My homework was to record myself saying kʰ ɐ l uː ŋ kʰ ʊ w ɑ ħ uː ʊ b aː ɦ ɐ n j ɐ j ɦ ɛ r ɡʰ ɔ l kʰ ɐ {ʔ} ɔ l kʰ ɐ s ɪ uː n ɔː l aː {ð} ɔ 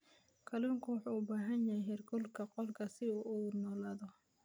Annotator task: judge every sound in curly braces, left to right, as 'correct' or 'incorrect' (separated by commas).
incorrect, correct